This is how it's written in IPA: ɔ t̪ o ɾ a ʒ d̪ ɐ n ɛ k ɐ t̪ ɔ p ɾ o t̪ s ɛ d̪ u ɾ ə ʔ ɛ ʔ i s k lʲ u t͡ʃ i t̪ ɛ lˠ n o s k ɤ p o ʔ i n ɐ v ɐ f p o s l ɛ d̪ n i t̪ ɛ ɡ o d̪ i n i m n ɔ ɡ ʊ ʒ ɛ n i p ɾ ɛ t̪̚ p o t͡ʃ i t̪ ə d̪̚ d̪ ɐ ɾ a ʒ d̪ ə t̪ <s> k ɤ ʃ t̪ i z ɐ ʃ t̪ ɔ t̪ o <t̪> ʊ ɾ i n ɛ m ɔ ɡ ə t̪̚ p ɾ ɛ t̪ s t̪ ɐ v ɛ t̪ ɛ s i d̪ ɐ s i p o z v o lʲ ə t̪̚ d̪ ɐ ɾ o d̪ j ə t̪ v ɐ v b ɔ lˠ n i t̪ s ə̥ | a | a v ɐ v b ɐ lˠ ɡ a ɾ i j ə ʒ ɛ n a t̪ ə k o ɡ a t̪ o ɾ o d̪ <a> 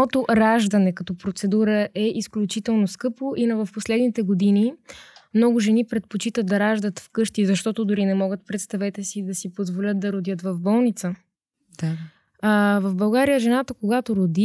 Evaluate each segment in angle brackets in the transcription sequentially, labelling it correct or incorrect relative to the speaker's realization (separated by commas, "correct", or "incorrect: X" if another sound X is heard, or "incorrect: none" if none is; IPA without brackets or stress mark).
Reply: incorrect: f, incorrect: d̪, incorrect: i